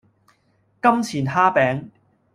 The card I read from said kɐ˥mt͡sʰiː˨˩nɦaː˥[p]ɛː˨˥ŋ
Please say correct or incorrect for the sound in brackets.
correct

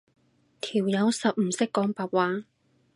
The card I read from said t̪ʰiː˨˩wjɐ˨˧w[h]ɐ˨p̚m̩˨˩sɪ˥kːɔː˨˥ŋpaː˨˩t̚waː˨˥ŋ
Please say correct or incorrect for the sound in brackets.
incorrect: s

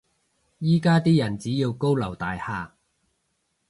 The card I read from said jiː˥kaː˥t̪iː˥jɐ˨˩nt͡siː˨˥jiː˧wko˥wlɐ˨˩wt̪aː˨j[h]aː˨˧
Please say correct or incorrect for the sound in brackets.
correct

